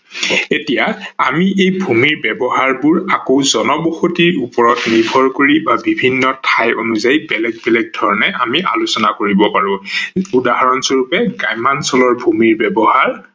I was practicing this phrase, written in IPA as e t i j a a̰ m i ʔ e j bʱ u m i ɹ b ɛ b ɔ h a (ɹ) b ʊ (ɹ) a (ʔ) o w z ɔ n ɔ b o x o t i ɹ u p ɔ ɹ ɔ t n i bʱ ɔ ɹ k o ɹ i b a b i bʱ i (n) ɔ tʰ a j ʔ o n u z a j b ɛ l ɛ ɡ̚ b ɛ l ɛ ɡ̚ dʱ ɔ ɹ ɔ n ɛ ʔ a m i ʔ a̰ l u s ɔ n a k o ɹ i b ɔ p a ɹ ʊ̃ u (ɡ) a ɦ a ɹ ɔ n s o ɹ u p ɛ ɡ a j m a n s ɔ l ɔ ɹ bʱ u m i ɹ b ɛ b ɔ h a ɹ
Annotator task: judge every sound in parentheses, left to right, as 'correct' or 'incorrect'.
correct, correct, incorrect: k, incorrect: nː, incorrect: d

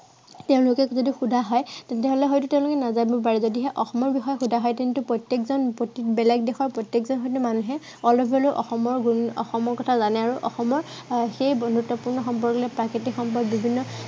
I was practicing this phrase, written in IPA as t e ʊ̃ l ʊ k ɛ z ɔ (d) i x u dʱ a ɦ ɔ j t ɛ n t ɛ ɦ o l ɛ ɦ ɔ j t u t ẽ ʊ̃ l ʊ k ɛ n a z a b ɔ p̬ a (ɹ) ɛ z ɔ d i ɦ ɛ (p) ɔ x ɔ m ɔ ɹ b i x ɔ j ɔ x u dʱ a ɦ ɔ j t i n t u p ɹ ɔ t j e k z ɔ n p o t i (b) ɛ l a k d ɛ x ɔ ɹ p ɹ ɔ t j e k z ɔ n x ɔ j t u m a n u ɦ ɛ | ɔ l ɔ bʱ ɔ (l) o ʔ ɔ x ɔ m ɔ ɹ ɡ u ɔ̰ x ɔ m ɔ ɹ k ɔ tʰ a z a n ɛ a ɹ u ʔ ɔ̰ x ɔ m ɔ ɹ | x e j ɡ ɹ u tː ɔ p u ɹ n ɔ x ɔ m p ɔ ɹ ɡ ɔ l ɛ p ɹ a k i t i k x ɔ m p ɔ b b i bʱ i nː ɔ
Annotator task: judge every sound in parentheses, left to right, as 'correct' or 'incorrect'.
correct, correct, incorrect: ʔ, correct, correct

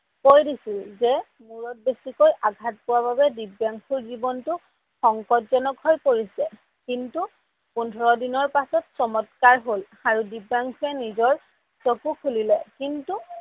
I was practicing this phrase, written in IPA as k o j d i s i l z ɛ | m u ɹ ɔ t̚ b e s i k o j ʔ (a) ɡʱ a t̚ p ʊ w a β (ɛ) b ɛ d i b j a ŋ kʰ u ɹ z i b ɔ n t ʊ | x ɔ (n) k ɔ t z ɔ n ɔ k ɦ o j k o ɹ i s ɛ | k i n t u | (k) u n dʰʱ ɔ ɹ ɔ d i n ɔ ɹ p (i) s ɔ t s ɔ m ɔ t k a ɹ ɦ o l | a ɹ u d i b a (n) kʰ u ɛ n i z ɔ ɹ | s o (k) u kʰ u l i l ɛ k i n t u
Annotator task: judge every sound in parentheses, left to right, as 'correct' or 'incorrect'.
correct, incorrect: a, incorrect: ŋ, incorrect: p, incorrect: a, incorrect: ŋ, correct

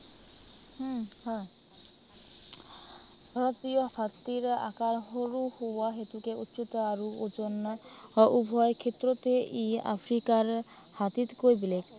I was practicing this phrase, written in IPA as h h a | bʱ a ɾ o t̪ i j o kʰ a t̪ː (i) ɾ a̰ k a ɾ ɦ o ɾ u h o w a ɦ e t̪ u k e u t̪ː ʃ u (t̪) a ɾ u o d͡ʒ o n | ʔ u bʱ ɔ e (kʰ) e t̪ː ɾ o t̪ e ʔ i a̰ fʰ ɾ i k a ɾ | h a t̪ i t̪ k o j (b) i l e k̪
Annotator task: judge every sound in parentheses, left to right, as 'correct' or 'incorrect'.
correct, correct, correct, correct

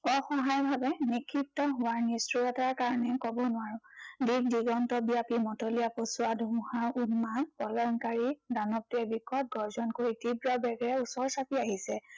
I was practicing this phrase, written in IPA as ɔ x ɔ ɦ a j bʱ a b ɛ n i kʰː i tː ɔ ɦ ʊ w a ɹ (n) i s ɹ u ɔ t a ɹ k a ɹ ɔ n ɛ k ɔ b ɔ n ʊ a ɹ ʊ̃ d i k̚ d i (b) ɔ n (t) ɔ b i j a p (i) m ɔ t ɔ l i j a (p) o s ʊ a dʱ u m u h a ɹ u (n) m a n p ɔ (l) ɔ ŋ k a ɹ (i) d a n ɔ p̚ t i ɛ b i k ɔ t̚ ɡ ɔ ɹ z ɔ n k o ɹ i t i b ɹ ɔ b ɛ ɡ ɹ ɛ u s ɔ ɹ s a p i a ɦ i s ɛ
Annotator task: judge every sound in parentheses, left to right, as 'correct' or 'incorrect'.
correct, incorrect: ɡ, correct, correct, correct, correct, correct, correct

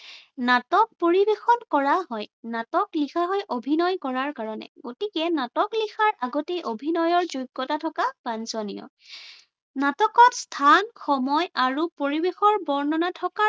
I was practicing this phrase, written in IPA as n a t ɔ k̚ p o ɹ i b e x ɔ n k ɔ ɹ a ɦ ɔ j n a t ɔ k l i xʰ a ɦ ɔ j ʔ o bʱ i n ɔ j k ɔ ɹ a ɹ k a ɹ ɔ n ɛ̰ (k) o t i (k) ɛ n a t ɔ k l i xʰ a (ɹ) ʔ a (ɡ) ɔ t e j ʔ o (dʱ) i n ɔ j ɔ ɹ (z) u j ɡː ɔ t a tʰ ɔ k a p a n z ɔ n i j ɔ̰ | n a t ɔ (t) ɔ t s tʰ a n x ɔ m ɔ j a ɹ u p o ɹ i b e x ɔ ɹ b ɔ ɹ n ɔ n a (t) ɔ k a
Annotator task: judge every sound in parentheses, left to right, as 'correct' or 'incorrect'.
incorrect: ɡ, correct, correct, correct, incorrect: bʱ, correct, incorrect: k, incorrect: tʰ

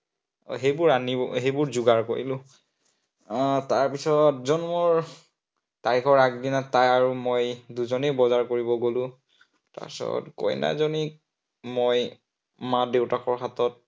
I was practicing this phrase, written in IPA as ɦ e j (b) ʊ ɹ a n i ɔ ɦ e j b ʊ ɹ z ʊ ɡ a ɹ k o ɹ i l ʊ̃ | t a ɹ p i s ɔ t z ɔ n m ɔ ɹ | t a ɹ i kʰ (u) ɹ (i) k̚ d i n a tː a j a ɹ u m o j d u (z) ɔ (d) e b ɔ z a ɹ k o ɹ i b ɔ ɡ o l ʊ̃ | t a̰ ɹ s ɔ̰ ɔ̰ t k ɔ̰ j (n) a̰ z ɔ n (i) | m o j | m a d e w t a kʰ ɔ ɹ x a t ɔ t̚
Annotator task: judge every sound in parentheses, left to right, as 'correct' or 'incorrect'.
correct, incorrect: ɔ, incorrect: a, correct, incorrect: n, correct, correct

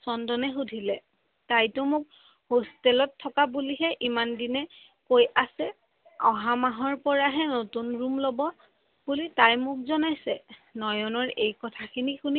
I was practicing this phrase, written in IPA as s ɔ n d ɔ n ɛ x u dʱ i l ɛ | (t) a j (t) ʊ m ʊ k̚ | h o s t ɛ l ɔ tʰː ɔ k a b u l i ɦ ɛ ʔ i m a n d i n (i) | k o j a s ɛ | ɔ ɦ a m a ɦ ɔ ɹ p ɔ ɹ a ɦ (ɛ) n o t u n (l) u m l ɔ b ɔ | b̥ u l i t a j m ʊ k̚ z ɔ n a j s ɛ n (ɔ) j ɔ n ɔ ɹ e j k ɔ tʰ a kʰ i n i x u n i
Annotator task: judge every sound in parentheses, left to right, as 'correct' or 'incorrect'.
correct, correct, incorrect: ɛ, correct, incorrect: ɹ, correct

